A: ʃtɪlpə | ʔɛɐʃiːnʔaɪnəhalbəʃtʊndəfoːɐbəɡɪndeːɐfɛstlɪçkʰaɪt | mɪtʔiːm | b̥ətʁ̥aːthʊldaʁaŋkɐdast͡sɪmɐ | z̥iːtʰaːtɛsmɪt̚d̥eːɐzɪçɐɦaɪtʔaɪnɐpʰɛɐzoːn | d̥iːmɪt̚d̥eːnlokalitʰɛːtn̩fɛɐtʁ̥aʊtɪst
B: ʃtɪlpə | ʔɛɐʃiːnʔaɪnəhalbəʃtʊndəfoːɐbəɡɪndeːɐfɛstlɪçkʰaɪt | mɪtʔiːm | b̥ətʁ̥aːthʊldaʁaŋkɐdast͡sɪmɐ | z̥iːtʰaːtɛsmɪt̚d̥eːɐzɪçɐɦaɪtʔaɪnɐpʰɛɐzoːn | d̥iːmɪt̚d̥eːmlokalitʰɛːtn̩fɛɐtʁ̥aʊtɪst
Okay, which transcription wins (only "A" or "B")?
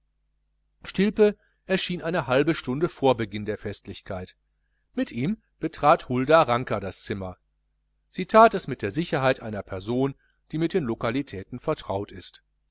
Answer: A